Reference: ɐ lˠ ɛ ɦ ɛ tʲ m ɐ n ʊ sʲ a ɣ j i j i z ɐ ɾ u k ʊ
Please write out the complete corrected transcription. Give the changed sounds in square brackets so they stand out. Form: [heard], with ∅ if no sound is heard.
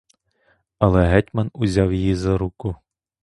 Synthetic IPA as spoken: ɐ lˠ ɛ ɦ ɛ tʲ m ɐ n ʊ [zʲ] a [w] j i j i z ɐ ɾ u k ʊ